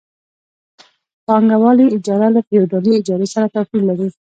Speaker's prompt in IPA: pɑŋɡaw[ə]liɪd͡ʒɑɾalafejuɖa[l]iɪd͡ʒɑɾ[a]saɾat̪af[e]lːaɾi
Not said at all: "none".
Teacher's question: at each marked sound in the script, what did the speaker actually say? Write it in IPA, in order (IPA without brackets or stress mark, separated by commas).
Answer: ɑ, l, e, i